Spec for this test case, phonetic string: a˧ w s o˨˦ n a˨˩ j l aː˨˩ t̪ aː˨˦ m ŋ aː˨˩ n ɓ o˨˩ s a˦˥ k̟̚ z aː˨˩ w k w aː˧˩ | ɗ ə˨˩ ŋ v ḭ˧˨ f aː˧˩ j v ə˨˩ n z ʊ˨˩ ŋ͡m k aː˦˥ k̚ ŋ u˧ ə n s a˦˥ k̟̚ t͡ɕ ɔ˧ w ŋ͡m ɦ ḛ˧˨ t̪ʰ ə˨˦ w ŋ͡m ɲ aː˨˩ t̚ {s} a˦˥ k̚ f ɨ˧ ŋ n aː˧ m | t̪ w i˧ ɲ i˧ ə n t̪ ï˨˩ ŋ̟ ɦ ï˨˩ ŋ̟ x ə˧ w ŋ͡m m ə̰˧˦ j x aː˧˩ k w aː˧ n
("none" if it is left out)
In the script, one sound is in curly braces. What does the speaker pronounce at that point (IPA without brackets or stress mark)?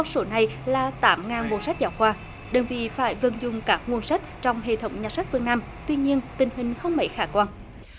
s